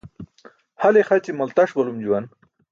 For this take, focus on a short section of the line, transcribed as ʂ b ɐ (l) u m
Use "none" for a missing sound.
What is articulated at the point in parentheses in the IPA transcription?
l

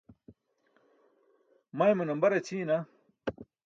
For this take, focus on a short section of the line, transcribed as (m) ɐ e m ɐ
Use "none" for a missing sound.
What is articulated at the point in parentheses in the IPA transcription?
m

